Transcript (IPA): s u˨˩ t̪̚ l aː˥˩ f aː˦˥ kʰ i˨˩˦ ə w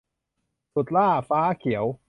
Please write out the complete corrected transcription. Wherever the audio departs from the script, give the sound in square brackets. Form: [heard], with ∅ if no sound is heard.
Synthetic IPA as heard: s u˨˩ t̪̚ l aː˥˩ f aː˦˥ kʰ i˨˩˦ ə w